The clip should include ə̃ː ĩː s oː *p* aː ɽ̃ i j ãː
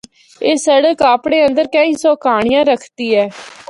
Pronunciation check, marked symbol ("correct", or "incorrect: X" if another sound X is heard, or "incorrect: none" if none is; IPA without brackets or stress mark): incorrect: k